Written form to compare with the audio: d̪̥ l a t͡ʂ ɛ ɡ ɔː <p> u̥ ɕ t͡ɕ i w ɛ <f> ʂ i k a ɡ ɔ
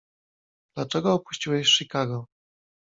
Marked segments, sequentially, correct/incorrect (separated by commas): correct, incorrect